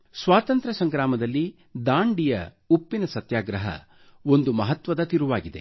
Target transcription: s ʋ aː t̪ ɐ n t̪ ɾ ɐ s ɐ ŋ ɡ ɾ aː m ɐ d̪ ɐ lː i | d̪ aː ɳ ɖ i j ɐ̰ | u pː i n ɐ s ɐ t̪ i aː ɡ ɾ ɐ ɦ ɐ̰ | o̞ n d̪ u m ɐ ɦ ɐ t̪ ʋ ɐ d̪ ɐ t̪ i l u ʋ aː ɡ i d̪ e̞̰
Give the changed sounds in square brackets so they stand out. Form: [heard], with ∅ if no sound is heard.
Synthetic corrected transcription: s ʋ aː t̪ ɐ n t̪ ɾ ɐ s ɐ ŋ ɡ ɾ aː m ɐ d̪ ɐ lː i | d̪ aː ɳ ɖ i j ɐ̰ | u pː i n ɐ s ɐ t̪ [j] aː ɡ ɾ ɐ ɦ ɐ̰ | o̞ n d̪ u m ɐ ɦ ɐ t̪ ʋ ɐ d̪ ɐ t̪ i [ɾ] u ʋ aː ɡ i d̪ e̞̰